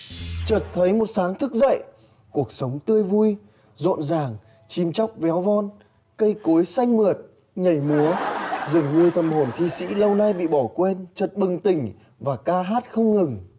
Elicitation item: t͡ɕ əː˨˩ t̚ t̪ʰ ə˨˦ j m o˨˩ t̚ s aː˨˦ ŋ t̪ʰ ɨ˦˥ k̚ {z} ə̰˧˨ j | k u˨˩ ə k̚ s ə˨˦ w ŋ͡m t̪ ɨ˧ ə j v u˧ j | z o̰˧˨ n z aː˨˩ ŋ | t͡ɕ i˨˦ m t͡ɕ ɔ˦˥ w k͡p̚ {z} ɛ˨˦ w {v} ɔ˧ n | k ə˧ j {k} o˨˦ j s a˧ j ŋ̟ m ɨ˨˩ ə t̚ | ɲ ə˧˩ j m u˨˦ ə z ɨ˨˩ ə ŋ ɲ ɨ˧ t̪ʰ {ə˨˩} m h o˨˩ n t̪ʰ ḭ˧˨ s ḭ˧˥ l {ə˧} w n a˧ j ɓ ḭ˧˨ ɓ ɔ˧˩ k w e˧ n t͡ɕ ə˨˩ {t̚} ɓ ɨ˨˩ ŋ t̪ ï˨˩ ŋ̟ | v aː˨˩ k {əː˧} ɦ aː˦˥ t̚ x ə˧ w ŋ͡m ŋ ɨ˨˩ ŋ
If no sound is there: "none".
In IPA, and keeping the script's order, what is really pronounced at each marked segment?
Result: z, v, v, k, ə˨˩, ə˧, t̚, aː˧

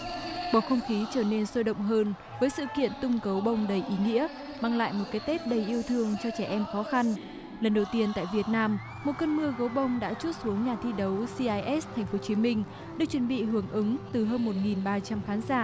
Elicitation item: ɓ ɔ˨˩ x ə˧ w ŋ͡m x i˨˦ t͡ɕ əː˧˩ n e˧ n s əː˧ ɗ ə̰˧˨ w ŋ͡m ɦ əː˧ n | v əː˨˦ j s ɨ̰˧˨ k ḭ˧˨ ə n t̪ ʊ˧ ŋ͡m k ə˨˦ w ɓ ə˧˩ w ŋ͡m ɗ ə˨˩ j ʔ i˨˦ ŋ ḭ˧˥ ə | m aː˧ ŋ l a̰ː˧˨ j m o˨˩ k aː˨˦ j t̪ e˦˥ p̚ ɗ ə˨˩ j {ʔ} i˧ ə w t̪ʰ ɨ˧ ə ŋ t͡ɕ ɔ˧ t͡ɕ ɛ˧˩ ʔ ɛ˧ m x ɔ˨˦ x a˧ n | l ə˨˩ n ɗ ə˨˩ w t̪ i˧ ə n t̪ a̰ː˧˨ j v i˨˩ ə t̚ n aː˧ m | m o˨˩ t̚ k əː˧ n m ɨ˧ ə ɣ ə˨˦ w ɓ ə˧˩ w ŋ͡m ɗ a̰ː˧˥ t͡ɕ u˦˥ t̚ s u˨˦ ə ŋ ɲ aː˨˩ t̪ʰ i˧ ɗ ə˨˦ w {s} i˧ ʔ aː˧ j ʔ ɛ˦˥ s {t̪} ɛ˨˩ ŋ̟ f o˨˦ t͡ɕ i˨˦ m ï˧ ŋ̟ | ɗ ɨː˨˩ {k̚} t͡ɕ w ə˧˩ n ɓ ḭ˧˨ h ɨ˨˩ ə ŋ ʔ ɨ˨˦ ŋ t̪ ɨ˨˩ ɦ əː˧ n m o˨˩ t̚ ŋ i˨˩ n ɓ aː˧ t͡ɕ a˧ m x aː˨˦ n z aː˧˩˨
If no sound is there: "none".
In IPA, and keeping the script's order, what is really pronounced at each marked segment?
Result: ʔ, s, t̪ʰ, k̚

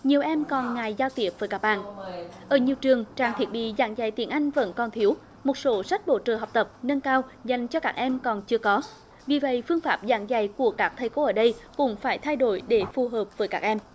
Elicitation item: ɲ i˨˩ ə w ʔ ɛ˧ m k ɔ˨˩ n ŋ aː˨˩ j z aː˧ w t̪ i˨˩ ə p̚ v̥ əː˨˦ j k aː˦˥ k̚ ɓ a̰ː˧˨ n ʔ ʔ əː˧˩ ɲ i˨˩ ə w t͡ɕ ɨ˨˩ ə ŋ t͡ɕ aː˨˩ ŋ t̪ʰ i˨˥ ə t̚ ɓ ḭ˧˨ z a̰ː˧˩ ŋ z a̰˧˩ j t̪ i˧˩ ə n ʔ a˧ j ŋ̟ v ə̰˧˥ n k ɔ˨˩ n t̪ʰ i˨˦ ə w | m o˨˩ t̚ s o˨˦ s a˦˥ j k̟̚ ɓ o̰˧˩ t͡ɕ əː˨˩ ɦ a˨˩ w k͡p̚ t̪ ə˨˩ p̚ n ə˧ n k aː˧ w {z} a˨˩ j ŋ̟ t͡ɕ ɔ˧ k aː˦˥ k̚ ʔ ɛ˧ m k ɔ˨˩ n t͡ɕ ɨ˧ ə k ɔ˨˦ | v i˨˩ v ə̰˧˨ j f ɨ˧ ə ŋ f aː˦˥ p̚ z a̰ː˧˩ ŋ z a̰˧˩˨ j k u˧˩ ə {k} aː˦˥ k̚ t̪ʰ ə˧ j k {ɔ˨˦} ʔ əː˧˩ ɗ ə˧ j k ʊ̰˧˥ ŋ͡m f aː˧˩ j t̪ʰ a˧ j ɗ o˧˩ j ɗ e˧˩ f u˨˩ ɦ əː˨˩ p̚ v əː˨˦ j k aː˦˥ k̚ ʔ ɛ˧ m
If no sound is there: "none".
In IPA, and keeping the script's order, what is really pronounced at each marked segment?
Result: z, k, o˨˦

